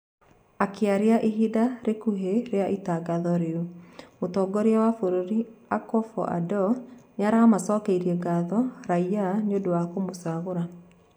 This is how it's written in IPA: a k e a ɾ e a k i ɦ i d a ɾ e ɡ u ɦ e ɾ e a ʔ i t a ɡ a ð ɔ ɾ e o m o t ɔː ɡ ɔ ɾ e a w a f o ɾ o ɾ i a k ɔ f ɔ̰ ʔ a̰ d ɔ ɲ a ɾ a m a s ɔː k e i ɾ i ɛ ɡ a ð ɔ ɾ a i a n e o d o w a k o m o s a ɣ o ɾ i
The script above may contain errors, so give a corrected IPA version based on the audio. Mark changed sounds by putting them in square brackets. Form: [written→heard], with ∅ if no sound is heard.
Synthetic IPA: a k e a ɾ e a [k→ʔ] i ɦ i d a ɾ e [ɡ→k] u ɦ e ɾ e a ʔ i t a ɡ a ð ɔ ɾ e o m o t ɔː ɡ ɔ ɾ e a w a f o ɾ o ɾ i a k ɔ f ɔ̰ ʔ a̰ d ɔ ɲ a ɾ a m a s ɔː k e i ɾ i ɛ ɡ a ð ɔ ɾ a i a n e o d o w a k o m o s a ɣ o ɾ [i→a]